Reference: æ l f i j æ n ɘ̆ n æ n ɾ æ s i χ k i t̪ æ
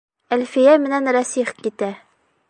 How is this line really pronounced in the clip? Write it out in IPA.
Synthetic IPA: æ l f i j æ m ɘ̆ n æ n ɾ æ s i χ k i t̪ æ